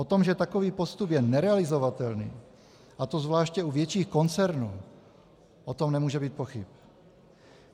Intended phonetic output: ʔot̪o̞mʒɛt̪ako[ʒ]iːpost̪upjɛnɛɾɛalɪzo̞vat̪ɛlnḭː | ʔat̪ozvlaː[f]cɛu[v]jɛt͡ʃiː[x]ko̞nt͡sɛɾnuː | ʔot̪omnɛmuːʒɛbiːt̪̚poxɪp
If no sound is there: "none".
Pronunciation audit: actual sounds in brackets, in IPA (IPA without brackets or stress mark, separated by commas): v, ʃ, v, x